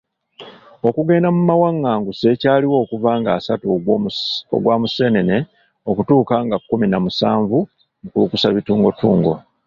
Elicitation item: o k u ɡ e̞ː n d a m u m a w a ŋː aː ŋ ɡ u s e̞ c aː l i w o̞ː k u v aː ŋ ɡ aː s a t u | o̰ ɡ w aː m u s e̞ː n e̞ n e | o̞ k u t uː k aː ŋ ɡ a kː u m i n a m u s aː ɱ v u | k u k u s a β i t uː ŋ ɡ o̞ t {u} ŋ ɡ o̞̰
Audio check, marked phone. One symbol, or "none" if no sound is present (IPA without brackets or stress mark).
uː